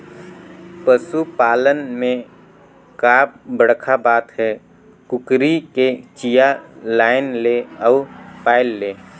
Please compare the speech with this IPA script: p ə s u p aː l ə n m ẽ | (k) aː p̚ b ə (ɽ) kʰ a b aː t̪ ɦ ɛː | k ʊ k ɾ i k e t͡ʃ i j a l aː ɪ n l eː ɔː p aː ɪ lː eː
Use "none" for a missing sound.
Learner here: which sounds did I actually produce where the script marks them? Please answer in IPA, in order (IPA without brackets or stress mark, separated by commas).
k, ɽ